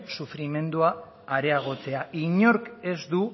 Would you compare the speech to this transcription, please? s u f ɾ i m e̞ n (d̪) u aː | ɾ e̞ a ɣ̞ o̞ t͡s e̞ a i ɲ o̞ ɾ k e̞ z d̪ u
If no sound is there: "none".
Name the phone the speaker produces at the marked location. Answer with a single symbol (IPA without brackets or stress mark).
d̪